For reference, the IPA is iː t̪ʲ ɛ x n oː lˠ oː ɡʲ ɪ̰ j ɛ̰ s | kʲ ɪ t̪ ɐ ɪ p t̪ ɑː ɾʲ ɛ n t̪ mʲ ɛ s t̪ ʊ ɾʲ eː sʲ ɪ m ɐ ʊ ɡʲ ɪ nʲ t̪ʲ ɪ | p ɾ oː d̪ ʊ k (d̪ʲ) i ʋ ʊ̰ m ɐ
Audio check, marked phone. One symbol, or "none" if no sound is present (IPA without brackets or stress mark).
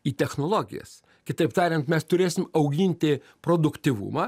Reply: t̪ʲ